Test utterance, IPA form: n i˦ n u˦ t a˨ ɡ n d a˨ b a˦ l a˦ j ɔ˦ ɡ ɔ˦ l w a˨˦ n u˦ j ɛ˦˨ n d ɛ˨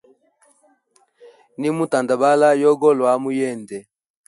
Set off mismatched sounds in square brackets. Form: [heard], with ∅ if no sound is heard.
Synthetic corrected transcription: n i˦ [m] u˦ t a˨ [∅] n d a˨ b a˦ l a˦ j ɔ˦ ɡ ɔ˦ l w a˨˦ [m] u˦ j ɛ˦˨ n d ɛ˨